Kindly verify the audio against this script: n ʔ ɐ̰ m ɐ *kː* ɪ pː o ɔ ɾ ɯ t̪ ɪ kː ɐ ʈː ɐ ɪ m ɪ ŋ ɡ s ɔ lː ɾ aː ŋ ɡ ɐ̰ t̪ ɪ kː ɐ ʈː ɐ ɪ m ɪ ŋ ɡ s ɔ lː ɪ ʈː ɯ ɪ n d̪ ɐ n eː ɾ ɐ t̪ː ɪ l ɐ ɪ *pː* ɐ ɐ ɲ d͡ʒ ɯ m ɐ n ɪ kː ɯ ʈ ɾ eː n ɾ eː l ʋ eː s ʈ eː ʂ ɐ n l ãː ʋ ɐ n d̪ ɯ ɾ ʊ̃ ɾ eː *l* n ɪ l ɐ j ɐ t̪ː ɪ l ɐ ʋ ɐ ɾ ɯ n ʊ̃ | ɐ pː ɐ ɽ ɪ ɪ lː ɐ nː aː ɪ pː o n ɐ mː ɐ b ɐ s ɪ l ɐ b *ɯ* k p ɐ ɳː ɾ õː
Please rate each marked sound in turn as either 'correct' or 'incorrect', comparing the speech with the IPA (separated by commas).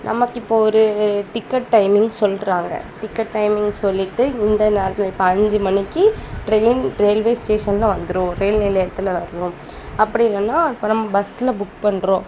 correct, correct, correct, incorrect